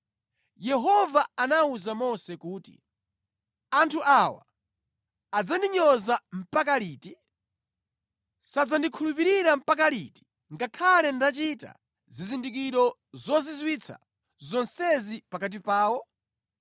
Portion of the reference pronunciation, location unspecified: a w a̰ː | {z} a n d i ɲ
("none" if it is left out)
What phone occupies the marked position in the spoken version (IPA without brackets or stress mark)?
d͡z